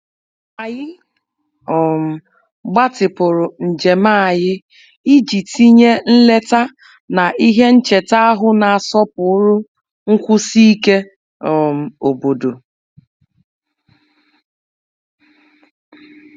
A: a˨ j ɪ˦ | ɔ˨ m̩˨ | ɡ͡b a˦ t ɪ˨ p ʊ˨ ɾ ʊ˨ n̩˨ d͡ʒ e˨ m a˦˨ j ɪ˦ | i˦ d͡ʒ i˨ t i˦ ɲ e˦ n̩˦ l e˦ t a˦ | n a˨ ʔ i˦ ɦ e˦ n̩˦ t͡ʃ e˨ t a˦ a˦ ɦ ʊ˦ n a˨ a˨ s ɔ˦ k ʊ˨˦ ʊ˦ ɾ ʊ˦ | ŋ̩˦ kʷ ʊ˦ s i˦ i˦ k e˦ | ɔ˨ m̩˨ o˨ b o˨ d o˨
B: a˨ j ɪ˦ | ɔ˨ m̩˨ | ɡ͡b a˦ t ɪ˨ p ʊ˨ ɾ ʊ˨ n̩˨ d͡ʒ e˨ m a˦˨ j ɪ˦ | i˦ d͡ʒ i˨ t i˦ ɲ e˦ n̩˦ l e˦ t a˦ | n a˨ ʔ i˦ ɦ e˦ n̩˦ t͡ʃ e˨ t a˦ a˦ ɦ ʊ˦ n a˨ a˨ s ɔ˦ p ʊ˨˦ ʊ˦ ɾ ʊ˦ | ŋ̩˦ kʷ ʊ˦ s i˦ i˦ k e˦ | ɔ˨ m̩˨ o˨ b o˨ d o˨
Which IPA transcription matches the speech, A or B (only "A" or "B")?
B